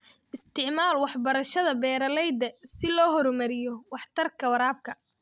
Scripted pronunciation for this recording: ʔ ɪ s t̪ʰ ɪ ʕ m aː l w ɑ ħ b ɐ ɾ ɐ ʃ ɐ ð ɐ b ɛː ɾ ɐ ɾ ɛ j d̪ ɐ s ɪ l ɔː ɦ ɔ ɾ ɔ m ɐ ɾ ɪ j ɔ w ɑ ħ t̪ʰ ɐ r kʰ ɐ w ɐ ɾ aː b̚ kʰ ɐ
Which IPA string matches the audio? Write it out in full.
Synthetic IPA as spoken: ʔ ɪ s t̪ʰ ɪ ʕ m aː l w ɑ ħ b ɐ ɾ ɐ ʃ ɐ ð ɐ b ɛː ɾ ɐ l ɛ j d̪ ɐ s ɪ l ɔː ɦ ɔ ɾ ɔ m ɐ ɾ ɪ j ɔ w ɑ ħ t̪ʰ ɐ r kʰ ɐ w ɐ ɾ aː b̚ kʰ ɐ

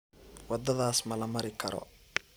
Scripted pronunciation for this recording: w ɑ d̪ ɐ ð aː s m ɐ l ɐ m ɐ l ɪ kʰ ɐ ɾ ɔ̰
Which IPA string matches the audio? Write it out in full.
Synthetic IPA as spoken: w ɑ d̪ ɐ ð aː s m ɐ l ɐ m ɐ ɾ ɪ kʰ ɐ ɾ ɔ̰

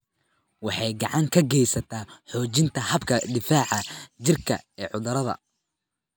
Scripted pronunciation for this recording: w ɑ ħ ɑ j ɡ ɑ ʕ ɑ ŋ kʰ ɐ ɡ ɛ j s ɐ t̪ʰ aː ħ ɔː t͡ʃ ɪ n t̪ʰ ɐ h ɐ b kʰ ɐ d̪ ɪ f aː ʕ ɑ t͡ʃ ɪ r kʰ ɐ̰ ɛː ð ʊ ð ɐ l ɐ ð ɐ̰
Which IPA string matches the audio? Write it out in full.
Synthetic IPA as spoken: w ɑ ħ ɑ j ɡ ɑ ʕ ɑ ŋ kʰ ɐ ɡ ɛ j s ɐ t̪ʰ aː ħ ɔː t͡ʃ ɪ n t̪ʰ ɐ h ɐ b kʰ ɐ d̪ ɪ f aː ʕ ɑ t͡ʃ ɪ r kʰ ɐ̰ ɛː ʕ ʊ ð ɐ ɾ ɐ ð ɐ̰

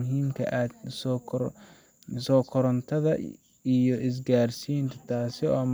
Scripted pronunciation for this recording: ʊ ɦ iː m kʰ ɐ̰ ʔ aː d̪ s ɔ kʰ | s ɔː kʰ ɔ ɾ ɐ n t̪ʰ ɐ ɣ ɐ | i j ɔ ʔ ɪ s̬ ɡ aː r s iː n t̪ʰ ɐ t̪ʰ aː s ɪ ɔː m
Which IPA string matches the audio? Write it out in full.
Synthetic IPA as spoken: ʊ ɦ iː m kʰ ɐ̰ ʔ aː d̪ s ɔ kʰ | s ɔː kʰ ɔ ɾ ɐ n t̪ʰ ɐ ð ɐ | i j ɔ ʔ ɪ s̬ ɡ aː r s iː n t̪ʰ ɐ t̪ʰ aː s ɪ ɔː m

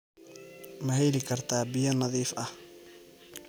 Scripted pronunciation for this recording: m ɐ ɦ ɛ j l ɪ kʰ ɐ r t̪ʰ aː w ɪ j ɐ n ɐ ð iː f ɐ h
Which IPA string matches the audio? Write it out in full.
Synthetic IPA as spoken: m ɐ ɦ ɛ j l ɪ kʰ ɐ r t̪ʰ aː b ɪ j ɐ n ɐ ð iː f ɐ h

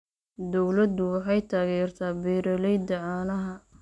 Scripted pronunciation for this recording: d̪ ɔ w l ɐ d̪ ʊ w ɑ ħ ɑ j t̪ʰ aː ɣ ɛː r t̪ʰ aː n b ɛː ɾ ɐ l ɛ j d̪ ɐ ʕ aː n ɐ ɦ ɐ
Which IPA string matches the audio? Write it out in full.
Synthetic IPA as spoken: d̪ ɔ w l ɐ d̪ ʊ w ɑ ħ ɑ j t̪ʰ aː ɣ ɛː r t̪ʰ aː b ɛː ɾ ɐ l ɛ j d̪ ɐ ʕ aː n ɐ ɦ ɐ

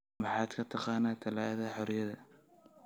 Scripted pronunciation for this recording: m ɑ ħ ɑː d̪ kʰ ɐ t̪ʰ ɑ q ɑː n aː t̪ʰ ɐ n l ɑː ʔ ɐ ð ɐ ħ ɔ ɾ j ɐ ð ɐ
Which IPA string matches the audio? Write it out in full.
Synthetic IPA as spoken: m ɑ ħ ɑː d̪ kʰ ɐ t̪ʰ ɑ q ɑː n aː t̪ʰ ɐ l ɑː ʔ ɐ ð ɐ ħ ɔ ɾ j ɐ ð ɐ

